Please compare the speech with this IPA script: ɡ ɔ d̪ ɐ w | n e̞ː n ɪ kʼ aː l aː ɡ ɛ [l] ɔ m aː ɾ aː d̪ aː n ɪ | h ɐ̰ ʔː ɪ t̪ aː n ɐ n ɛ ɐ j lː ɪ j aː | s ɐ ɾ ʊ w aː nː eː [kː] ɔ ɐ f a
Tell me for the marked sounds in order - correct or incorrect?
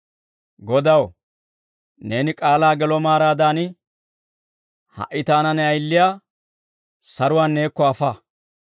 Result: correct, correct

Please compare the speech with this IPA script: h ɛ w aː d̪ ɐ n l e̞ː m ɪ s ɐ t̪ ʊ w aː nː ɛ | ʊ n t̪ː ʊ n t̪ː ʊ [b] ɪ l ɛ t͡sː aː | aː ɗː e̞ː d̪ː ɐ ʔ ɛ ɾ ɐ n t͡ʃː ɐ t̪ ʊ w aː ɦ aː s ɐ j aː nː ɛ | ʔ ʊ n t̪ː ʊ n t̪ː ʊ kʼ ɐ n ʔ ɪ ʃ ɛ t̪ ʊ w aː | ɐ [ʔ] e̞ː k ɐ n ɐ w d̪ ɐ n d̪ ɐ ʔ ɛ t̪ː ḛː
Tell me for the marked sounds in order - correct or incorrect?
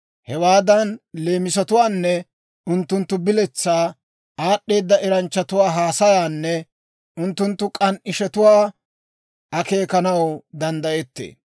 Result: correct, incorrect: k

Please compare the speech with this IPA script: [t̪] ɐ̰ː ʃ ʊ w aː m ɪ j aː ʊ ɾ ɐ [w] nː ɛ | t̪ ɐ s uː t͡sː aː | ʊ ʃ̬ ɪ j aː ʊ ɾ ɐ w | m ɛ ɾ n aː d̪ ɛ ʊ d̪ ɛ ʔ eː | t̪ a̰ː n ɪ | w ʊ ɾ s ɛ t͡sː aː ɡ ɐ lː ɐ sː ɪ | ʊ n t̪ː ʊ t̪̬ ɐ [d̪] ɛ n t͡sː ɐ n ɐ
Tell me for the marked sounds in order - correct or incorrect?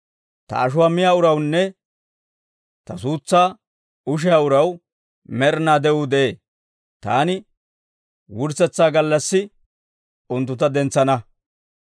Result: correct, correct, correct

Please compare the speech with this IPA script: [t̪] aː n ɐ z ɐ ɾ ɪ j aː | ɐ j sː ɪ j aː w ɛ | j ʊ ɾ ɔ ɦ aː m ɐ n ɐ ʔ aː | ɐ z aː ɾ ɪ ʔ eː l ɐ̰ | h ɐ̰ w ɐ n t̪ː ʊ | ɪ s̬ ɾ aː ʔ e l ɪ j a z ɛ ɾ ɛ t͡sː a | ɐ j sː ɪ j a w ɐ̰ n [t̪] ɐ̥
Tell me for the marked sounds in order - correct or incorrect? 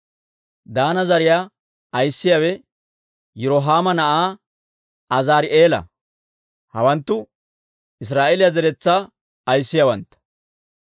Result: incorrect: d̪, correct

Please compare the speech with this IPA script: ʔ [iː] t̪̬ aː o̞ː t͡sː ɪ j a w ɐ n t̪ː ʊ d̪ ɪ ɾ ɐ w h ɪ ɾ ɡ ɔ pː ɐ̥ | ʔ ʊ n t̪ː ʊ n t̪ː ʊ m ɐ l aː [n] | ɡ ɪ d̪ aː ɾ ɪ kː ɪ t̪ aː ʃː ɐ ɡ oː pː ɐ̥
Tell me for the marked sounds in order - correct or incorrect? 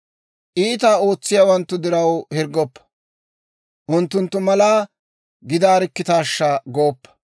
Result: correct, incorrect: none

